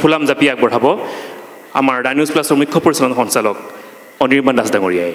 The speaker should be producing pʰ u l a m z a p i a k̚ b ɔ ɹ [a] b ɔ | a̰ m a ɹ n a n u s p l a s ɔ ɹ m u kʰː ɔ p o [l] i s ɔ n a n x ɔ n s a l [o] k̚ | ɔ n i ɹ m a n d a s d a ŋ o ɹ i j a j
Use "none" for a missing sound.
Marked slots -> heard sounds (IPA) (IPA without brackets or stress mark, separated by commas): a, ɹ, ɔ